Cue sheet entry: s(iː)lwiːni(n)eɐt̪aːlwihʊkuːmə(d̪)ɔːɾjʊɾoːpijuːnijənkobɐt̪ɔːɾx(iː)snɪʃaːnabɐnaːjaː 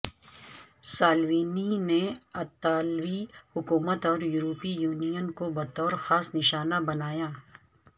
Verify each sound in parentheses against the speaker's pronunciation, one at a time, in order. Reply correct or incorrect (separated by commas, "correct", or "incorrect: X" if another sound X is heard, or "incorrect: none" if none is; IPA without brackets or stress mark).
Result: incorrect: aː, correct, incorrect: t̪, incorrect: aː